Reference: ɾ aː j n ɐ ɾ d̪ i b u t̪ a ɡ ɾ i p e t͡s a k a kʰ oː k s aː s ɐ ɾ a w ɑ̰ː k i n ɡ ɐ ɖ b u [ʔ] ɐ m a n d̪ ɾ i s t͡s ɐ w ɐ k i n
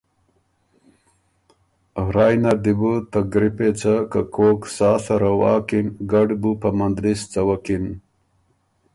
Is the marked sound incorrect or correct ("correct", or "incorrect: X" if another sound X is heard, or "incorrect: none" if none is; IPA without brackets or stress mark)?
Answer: incorrect: p